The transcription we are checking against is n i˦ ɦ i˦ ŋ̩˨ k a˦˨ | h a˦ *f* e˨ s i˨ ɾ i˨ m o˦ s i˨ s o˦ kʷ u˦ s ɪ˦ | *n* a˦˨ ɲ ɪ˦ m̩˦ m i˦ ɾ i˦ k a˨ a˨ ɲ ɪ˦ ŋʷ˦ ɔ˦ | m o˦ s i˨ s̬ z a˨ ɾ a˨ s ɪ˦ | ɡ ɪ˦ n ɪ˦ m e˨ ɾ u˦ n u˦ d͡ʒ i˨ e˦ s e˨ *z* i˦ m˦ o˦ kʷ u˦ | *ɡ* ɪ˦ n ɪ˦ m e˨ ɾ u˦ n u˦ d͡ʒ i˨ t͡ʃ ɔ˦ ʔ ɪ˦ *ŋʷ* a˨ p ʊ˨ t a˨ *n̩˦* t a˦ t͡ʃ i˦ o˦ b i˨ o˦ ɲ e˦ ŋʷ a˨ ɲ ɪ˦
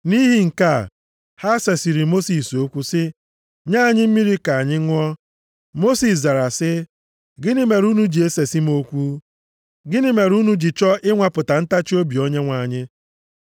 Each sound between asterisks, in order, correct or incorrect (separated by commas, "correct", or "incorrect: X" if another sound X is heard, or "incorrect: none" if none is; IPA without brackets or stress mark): incorrect: s, incorrect: ɲ, incorrect: s, correct, correct, correct